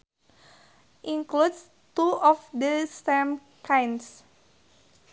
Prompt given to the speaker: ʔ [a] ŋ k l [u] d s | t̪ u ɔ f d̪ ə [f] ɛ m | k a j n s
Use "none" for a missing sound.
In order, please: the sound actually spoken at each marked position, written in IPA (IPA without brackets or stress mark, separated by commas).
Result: i, u, s